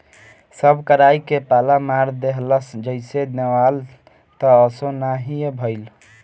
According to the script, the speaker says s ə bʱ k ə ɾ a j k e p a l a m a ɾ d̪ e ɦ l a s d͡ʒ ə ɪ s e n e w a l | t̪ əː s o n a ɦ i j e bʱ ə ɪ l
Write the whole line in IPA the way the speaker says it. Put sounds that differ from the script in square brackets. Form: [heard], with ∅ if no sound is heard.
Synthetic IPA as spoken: s ə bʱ k ə ɾ a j k e p a l a m a ɾ d̪ e ɦ l [ə] s d͡ʒ ə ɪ s e n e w a l | t̪ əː s o n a ɦ i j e bʱ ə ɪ l